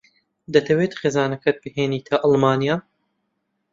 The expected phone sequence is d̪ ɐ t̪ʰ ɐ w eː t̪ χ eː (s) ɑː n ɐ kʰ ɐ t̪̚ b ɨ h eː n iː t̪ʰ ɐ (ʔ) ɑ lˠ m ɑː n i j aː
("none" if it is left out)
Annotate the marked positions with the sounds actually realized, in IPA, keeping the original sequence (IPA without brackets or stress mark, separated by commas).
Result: z, ʔ